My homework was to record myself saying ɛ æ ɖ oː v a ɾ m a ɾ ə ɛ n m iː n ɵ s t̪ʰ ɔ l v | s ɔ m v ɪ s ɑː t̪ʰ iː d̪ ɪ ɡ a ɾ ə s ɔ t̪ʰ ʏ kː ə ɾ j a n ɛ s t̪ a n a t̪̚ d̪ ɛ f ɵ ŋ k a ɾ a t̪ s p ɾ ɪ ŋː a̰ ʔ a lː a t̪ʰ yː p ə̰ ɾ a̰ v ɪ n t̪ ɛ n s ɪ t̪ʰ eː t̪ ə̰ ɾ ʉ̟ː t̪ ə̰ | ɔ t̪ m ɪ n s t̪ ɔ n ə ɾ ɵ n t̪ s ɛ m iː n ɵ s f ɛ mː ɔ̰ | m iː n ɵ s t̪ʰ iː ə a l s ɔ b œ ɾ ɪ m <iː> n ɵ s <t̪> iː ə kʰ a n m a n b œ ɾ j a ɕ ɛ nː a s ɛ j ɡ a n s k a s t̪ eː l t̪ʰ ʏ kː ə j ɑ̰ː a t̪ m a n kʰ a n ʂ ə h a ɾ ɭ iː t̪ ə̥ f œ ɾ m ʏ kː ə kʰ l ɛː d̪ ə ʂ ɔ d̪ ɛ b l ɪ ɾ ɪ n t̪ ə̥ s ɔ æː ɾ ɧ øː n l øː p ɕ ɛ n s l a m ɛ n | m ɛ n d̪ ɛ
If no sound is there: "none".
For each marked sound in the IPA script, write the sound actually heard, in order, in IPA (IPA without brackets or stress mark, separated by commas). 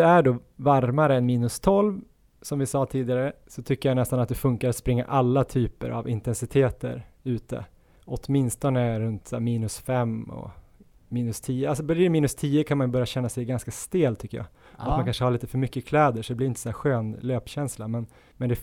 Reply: iː, t̪ʰ